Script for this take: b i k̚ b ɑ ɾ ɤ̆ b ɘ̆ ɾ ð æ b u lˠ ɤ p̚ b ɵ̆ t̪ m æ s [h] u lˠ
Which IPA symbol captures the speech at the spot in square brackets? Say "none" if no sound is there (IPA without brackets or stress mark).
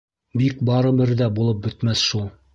ʃ